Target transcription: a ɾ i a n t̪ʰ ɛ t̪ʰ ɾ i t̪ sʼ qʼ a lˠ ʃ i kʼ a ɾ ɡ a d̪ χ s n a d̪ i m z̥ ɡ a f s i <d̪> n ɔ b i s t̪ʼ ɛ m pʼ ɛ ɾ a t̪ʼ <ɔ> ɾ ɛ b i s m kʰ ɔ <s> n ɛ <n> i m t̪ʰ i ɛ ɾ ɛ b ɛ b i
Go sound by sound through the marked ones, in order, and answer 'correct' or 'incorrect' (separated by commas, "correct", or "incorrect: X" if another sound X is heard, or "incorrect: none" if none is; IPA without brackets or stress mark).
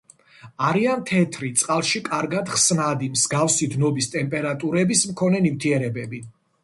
correct, incorrect: u, incorrect: none, correct